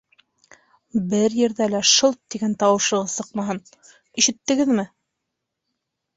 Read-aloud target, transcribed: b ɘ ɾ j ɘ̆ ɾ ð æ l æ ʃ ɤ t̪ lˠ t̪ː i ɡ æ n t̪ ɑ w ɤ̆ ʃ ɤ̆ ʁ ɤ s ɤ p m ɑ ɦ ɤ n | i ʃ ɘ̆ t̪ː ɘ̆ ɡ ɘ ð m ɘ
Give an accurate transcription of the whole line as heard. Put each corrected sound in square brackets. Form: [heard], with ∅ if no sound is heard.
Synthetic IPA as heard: b ɘ ɾ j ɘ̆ ɾ ð æ l æ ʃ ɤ [∅] lˠ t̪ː i ɡ æ n t̪ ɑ w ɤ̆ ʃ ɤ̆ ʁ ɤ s ɤ [q] m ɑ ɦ ɤ n | i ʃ ɘ̆ t̪ː ɘ̆ ɡ ɘ ð m ɘ

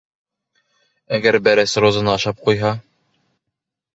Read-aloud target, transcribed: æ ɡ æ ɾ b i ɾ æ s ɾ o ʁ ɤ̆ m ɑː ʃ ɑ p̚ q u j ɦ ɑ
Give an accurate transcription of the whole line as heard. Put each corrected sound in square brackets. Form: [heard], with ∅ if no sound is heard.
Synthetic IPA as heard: æ ɡ æ ɾ b [æ] ɾ æ s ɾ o [z] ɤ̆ [n] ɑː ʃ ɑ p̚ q u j ɦ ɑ

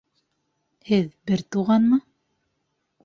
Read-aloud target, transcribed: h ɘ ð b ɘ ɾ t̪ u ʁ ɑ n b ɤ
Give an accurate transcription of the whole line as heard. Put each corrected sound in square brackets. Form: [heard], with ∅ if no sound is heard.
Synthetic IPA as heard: h ɘ ð b ɘ ɾ t̪ u ʁ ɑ n [m] ɤ

